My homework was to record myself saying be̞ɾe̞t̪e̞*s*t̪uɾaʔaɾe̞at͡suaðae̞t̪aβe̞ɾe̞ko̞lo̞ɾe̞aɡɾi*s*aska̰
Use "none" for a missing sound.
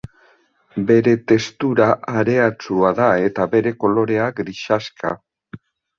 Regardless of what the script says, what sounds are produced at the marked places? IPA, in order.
s, ʃ

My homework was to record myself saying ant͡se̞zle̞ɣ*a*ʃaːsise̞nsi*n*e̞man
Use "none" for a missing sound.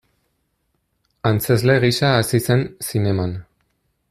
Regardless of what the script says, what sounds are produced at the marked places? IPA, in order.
i, n

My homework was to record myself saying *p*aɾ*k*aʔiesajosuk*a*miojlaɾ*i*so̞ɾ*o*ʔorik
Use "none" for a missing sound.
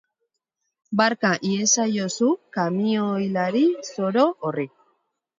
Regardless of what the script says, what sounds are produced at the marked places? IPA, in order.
b, k, a, i, o

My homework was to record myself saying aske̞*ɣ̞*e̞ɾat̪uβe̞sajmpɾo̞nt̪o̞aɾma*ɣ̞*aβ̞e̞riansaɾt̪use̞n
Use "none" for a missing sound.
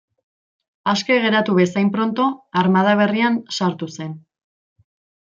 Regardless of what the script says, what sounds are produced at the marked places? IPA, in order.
ɣ̞, ð̞

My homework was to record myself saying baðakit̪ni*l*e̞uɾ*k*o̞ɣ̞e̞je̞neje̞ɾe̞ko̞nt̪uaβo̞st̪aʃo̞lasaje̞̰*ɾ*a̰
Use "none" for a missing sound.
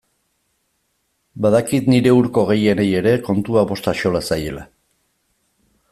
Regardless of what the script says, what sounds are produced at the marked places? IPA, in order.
ɾ, k, l

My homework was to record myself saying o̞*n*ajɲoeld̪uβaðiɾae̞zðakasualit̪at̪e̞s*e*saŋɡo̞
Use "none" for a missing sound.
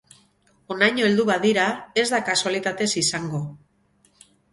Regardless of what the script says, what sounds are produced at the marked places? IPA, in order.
n, i

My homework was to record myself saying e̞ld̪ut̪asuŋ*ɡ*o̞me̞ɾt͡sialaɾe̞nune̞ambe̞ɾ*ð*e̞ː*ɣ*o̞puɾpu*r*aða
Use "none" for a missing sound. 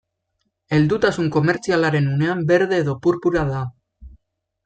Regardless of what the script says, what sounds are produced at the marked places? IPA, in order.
k, ð, ð, ɾ

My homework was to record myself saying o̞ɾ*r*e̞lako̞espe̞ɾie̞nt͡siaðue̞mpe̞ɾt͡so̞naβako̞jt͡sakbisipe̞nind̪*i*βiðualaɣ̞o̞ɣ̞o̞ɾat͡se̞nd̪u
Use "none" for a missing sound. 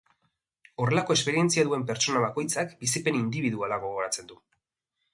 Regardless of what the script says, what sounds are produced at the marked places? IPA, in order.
r, i

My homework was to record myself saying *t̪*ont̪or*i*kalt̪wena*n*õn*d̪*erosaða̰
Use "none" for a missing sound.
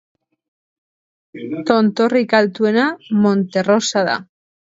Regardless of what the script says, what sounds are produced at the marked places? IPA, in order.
t̪, i, m, t̪

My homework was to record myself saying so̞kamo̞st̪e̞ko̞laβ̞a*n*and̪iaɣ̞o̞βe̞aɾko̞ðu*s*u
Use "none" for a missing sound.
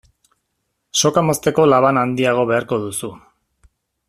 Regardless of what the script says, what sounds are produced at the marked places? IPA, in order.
n, s

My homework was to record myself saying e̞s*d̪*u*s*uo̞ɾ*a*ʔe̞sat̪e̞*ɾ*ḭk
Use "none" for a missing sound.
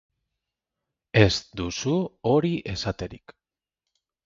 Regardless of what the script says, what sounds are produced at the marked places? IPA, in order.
d̪, s, i, ɾ

